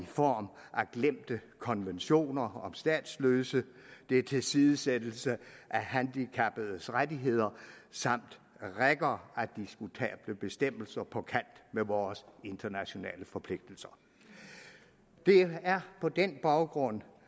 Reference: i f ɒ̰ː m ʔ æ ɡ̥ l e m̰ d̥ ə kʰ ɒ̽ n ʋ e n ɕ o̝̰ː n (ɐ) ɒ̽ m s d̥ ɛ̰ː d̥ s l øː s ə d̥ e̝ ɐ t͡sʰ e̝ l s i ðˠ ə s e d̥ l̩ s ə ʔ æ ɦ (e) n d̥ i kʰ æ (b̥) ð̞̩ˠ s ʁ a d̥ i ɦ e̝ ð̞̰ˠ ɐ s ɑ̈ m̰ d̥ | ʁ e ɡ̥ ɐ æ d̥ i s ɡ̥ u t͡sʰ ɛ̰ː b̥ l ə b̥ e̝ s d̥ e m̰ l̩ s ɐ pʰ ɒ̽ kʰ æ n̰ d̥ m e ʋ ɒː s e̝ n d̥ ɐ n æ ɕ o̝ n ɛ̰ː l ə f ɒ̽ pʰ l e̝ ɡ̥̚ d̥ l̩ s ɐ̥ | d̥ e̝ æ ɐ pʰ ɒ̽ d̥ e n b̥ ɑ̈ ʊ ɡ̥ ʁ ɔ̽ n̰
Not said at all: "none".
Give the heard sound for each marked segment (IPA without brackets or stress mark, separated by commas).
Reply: ɐ, æ, b̥